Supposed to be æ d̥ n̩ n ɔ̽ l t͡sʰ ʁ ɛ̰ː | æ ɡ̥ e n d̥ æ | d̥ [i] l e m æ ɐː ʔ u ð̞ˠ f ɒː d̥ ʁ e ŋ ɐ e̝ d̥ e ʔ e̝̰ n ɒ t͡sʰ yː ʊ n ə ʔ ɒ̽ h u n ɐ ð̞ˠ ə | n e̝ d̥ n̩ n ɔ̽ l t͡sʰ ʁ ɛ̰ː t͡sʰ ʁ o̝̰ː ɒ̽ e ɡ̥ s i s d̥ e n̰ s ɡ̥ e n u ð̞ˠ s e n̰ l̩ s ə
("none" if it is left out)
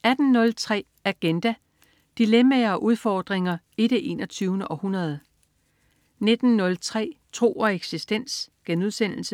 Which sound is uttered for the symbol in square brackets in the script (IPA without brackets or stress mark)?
i